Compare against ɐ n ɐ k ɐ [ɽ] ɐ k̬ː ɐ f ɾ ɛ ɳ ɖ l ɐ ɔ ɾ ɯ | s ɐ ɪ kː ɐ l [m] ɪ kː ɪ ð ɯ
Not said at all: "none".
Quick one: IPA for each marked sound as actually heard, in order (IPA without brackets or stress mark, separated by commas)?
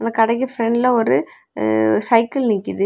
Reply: ɽ, n